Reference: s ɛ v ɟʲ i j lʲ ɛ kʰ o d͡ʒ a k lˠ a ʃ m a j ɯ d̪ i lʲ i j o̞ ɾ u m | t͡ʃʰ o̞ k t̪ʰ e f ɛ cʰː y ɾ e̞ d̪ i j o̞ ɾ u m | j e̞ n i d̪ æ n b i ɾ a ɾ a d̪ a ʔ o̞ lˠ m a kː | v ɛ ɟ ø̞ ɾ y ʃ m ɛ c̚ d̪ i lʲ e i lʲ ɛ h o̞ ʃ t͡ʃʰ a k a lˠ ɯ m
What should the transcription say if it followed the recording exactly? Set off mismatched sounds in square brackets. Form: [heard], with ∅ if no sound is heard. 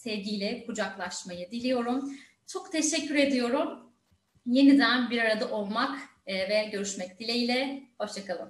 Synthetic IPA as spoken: s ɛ v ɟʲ i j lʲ ɛ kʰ [u] d͡ʒ a k lˠ a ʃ m a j ɯ d̪ i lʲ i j o̞ ɾ u m | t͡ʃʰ o̞ k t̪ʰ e [ʃ] ɛ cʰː y ɾ e̞ d̪ i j o̞ ɾ u m | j e̞ n i d̪ æ n b i ɾ a ɾ a d̪ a ʔ o̞ lˠ m a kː | v ɛ ɟ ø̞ ɾ y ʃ m ɛ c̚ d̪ i lʲ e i lʲ ɛ h o̞ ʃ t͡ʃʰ a k a lˠ ɯ m